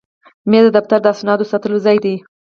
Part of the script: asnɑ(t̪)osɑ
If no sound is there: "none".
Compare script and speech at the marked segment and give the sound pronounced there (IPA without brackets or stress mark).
d̪